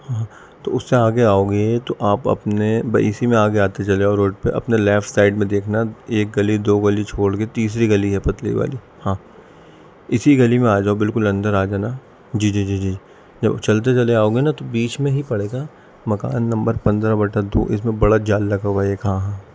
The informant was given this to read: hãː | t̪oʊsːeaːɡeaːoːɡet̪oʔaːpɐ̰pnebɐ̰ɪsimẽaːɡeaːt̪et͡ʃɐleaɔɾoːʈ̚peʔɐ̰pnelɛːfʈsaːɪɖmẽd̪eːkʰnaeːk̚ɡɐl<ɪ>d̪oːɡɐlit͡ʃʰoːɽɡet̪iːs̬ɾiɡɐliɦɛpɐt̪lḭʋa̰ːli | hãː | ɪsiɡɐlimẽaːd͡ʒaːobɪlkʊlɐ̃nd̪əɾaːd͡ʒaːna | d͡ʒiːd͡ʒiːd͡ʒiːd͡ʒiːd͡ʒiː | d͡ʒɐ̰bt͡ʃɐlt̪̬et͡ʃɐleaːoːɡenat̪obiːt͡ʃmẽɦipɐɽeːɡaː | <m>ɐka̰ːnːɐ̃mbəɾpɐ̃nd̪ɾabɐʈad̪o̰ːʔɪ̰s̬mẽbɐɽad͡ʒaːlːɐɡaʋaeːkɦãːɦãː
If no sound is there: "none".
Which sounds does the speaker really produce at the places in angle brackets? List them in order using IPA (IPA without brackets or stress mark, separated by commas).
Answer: i, m